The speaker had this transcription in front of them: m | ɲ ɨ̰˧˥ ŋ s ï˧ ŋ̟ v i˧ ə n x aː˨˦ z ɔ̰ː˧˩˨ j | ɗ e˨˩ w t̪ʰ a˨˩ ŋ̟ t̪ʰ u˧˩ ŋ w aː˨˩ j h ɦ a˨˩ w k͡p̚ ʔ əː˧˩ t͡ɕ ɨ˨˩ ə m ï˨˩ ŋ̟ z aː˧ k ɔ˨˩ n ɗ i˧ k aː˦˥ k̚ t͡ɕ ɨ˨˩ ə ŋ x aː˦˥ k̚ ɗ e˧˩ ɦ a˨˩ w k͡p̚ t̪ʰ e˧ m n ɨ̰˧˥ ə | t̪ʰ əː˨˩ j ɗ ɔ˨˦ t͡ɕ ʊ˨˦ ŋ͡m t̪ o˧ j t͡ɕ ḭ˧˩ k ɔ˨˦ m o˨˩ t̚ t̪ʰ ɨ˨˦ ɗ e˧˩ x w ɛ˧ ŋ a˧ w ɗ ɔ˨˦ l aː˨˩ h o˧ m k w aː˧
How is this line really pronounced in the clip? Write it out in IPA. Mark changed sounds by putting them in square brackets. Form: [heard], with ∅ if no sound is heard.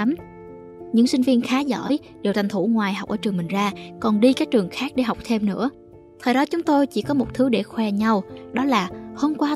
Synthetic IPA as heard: m | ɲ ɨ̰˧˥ ŋ s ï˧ ŋ̟ v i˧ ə n x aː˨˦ z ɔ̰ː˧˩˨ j | ɗ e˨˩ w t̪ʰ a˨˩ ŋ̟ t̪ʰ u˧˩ ŋ w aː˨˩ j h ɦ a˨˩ w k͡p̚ ʔ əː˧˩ t͡ɕ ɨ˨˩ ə m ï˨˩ ŋ̟ z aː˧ k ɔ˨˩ n ɗ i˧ k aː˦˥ k̚ t͡ɕ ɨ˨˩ ə ŋ x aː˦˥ k̚ ɗ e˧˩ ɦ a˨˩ w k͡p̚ t̪ʰ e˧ m n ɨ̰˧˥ ə | t̪ʰ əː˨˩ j ɗ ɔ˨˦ t͡ɕ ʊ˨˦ ŋ͡m t̪ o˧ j t͡ɕ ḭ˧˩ k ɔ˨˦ m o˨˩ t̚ t̪ʰ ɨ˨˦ ɗ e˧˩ x w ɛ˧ [ɲ] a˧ w ɗ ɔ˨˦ l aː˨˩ h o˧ m k w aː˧